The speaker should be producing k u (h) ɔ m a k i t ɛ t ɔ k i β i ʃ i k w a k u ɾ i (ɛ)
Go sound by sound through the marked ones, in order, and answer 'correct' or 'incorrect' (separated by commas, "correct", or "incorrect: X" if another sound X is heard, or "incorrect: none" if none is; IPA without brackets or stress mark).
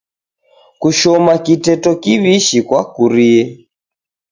incorrect: ʃ, correct